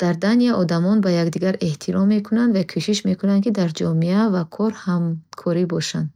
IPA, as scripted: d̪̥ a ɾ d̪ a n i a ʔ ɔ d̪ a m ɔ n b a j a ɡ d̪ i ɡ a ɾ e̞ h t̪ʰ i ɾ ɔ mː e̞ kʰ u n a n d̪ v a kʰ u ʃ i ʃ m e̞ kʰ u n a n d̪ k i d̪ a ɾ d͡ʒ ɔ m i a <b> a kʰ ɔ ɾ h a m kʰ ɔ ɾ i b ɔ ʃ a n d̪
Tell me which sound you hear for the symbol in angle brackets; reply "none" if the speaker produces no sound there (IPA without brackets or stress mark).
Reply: v